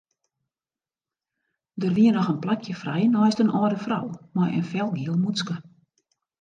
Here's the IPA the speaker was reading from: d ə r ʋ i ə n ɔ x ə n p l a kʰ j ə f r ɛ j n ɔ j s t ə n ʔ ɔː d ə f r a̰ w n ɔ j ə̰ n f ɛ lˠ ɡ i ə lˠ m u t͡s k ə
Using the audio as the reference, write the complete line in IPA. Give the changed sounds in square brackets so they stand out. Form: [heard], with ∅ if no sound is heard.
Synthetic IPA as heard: d ə r ʋ i ə n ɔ x ə n p l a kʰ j ə f r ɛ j n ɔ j s t ə n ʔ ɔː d ə f r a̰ w [m] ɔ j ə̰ n f ɛ lˠ ɡ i ə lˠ m u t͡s k ə

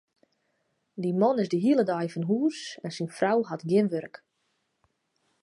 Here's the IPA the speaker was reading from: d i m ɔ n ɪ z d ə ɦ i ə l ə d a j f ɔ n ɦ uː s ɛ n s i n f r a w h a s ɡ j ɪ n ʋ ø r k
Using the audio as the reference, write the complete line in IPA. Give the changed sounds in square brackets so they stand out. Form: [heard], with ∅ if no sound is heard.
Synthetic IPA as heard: d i m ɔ n ɪ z d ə ɦ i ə l ə d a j f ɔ n ɦ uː s ɛ n s i n f r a w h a [t] ɡ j ɪ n ʋ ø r k

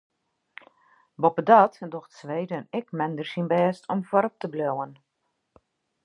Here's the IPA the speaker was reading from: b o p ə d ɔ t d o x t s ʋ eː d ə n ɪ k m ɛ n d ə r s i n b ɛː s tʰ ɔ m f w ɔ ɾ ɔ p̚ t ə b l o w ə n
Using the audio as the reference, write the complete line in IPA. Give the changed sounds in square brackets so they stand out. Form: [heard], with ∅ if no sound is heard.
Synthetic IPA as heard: b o p ə d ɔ t d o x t s ʋ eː d ə n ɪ k m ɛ n d ə r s i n b ɛː s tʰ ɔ m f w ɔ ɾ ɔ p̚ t ə b l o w ə n

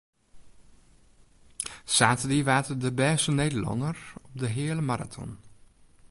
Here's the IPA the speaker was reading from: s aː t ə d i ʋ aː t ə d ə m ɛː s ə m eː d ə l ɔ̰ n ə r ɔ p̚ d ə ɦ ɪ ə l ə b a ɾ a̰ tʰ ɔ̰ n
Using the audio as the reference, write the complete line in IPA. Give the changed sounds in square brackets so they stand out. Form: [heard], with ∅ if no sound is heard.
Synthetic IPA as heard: s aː t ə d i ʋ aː t ə d ə [b] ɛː s ə [n] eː d ə l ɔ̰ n ə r ɔ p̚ d ə ɦ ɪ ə l ə [m] a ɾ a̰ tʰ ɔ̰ n

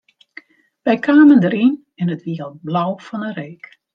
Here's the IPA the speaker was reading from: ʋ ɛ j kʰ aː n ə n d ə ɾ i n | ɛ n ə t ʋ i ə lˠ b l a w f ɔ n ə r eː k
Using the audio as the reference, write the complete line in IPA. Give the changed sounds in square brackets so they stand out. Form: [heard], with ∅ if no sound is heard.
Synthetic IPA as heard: ʋ ɛ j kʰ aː [m] ə n d ə ɾ i n | ɛ n ə t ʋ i ə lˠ b l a w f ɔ n ə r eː k

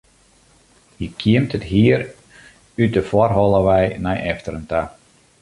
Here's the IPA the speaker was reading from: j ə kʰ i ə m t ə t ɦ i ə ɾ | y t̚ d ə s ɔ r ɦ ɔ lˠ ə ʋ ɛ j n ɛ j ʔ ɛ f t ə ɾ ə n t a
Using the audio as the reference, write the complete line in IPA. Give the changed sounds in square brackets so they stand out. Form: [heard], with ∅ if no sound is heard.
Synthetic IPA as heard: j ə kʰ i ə m t ə t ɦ i ə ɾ | y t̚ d ə [f] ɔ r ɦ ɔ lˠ ə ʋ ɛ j n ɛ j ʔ ɛ f t ə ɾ ə n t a

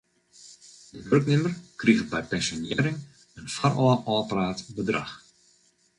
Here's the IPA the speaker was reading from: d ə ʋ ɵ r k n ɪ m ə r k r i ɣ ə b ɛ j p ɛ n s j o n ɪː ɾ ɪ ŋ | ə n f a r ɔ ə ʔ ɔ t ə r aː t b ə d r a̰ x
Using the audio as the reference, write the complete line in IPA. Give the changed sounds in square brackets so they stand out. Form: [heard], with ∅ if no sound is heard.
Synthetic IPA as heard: d ə ʋ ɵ r k n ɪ m ə r k r i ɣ ə b ɛ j p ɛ n s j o n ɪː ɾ ɪ ŋ | ə n f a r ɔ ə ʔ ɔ [p] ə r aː t b ə d r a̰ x

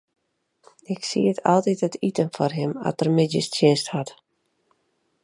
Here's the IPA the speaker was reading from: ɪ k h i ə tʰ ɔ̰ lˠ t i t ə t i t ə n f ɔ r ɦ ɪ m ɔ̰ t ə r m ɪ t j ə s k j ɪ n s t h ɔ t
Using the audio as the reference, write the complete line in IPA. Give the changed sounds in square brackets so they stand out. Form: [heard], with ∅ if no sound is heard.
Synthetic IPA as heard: ɪ k [s] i ə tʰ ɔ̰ lˠ t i t ə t i t ə n f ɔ r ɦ ɪ m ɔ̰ t ə r m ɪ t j ə s [t] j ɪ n s t h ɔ t

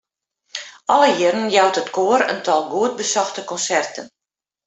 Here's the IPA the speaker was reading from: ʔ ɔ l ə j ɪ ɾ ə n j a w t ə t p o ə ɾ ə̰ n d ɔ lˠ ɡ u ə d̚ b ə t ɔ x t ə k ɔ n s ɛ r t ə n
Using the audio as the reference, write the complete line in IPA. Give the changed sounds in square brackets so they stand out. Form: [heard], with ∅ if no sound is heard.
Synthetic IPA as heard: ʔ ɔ l ə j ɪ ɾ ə n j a w t ə t [k] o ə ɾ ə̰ n [t] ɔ lˠ ɡ u ə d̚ b ə [s] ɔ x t ə k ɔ n s ɛ r t ə n

